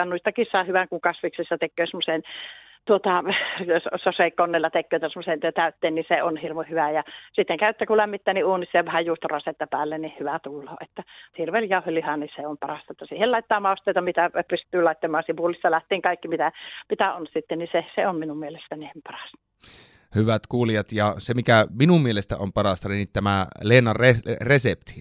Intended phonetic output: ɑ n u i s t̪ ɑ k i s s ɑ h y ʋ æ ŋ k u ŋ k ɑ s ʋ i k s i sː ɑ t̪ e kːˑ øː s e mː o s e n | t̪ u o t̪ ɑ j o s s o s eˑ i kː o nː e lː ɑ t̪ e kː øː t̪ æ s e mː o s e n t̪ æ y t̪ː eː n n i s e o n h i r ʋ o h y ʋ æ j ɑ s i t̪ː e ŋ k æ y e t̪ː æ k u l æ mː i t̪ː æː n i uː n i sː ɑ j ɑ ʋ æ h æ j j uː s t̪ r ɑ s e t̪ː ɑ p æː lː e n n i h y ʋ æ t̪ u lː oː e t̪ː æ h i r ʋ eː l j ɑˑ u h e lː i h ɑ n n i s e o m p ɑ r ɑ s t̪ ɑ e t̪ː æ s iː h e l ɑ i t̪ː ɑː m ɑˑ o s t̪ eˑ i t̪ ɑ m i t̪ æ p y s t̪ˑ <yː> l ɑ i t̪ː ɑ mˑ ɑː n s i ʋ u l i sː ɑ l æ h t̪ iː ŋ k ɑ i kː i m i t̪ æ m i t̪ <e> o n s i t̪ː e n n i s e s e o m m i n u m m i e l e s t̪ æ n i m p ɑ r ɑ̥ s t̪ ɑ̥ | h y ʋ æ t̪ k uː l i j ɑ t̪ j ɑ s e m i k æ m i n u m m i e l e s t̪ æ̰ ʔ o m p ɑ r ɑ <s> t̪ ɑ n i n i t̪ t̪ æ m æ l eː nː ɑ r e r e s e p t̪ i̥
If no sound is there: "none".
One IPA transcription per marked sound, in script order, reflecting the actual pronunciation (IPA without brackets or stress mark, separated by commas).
yː, æ, s